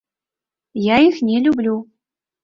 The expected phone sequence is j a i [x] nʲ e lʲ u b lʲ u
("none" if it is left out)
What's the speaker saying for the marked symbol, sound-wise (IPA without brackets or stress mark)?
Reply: x